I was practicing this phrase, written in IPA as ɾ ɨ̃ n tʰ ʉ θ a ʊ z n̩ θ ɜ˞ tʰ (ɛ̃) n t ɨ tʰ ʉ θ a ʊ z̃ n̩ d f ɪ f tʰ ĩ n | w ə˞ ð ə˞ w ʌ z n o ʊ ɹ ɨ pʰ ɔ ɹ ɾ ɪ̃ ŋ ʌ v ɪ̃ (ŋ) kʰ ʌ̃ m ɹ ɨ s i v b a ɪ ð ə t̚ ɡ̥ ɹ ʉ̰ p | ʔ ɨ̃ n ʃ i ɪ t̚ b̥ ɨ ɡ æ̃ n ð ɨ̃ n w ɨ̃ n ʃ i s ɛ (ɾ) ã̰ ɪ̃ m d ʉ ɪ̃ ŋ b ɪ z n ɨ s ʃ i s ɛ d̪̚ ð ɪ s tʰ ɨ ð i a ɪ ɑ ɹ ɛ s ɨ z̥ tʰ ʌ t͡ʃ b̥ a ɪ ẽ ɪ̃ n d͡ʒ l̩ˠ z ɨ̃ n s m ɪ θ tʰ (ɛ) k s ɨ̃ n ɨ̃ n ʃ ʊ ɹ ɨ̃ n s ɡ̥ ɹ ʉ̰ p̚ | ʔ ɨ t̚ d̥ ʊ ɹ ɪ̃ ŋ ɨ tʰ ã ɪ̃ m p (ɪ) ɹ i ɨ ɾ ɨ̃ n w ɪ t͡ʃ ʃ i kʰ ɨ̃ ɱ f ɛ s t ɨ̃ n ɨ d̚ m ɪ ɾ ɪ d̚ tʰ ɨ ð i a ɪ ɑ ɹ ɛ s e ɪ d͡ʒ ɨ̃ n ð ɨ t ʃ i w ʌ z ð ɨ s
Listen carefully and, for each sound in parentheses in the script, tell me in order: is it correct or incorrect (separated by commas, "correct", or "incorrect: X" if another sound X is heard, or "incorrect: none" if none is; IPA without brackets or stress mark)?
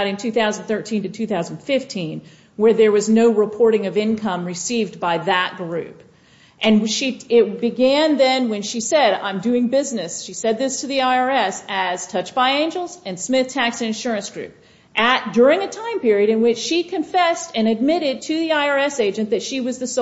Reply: incorrect: ĩ, incorrect: n, correct, incorrect: æ, correct